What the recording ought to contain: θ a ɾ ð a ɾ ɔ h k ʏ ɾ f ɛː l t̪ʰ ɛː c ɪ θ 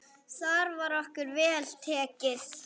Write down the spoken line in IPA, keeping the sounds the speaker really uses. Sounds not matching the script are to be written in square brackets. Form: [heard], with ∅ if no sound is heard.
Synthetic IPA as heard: θ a ɾ [v] a ɾ ɔ h k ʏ ɾ [v] ɛː l t̪ʰ ɛː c ɪ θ